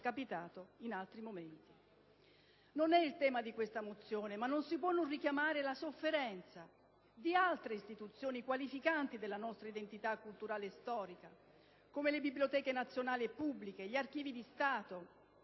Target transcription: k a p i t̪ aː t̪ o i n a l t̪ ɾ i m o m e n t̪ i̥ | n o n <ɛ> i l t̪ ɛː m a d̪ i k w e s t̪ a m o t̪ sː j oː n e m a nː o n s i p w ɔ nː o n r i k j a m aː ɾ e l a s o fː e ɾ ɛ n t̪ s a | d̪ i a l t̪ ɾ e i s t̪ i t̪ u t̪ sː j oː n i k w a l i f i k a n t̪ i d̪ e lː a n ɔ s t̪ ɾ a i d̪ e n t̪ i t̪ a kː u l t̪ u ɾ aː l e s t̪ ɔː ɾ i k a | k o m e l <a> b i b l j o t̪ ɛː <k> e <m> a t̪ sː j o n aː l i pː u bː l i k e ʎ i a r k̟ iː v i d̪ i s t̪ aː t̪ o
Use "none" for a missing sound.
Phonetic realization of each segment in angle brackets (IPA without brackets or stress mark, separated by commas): ɛ, e, k, n